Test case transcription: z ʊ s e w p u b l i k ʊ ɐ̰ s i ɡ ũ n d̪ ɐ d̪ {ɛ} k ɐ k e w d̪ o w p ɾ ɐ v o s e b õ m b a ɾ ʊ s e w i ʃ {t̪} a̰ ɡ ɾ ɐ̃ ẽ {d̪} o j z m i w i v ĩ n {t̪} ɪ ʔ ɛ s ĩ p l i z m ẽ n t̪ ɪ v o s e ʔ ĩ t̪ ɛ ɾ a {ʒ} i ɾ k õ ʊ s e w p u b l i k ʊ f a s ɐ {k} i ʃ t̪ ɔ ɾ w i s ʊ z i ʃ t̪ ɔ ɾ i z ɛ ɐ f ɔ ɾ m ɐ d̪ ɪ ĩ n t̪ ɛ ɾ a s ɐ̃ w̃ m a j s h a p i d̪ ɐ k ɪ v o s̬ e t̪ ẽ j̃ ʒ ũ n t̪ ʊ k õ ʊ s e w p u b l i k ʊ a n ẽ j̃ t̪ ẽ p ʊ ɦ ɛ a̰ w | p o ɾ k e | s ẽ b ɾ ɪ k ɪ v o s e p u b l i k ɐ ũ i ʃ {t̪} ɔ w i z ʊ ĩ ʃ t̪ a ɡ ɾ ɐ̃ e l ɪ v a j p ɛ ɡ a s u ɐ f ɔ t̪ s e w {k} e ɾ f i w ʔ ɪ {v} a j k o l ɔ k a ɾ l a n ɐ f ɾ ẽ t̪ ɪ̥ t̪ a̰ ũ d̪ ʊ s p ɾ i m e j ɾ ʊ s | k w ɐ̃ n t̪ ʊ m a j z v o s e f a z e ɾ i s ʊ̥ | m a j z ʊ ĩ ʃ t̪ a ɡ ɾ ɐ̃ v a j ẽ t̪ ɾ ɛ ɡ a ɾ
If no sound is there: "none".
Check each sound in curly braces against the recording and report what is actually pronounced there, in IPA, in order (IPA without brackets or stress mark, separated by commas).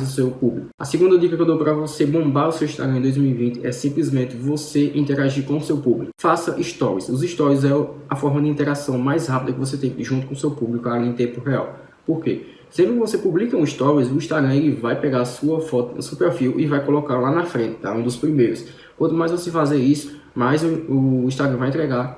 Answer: i, t̪, d̪, t̪, ʒ, ʔ, t̪, p, v